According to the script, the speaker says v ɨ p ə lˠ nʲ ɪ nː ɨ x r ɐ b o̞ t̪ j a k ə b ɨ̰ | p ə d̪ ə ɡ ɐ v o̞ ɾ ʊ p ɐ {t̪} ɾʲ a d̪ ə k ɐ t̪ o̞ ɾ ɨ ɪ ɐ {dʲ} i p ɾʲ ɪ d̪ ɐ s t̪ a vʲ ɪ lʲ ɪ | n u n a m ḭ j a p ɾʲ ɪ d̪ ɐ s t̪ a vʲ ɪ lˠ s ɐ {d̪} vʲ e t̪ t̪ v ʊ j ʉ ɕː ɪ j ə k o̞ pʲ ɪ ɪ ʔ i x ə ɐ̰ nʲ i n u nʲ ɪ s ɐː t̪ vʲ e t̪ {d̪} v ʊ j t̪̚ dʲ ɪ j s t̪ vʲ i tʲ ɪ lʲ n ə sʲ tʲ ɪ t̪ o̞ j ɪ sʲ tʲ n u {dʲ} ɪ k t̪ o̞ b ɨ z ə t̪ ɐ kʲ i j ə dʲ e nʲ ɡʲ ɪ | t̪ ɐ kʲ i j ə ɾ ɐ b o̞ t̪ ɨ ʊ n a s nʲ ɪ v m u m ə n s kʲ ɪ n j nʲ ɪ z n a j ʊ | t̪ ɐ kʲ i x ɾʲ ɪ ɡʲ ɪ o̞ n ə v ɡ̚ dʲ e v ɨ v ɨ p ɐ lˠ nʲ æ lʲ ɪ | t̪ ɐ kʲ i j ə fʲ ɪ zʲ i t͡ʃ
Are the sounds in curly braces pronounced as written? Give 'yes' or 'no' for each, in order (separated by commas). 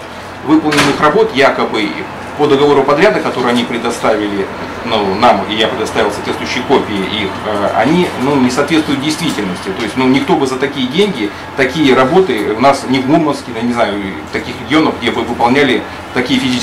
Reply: no, no, no, no, no